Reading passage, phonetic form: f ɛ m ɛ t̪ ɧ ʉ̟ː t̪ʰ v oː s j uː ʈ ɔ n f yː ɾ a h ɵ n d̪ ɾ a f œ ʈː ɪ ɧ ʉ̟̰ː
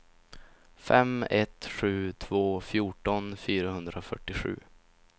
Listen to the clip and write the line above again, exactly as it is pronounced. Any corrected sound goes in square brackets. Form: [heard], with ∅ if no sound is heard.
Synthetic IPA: f ɛ m ɛ t̪ ɧ ʉ̟ː t̪ʰ v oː [f] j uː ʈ ɔ n f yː ɾ a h ɵ n d̪ ɾ a f œ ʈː ɪ ɧ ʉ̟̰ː